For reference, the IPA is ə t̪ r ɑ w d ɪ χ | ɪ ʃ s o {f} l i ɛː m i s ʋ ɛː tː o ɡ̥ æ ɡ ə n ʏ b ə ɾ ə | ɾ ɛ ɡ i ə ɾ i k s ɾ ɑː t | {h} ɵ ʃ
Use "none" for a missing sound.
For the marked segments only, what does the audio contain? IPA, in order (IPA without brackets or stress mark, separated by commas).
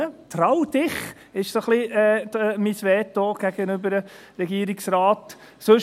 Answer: χ, s